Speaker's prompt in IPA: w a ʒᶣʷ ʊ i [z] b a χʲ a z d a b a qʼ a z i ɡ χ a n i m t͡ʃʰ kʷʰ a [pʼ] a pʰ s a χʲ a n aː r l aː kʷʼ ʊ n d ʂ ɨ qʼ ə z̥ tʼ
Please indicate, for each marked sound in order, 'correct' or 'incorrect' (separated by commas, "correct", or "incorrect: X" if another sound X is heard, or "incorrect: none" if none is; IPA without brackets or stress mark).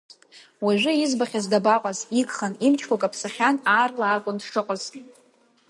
correct, incorrect: kʼ